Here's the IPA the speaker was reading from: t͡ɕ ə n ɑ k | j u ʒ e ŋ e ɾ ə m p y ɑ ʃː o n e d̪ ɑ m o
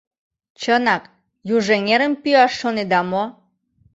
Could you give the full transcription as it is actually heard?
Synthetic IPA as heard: t͡ɕ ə n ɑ k | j u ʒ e ŋ e ɾ ə m p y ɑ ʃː o n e d̪ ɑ m o